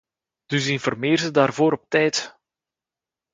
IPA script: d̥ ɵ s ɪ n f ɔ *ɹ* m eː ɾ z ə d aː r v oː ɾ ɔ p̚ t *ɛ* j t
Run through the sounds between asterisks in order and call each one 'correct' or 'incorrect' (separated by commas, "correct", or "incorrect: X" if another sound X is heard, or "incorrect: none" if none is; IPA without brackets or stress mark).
incorrect: r, correct